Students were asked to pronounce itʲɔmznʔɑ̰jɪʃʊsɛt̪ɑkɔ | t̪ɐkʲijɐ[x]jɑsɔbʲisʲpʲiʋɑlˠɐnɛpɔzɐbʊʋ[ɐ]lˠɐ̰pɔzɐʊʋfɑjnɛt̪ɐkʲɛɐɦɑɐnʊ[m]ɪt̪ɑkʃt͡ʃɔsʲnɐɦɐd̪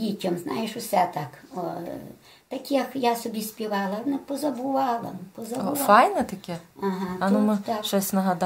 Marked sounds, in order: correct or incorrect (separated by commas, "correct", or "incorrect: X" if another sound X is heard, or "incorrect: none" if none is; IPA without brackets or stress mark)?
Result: incorrect: k, incorrect: ɑ, correct